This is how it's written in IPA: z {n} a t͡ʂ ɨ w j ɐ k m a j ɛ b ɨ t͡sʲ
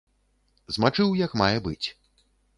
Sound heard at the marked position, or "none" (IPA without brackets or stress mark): m